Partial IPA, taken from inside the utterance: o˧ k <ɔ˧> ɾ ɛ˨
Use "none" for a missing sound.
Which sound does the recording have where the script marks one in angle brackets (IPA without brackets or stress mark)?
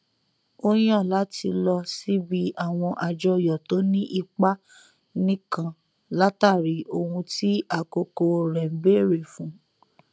o˧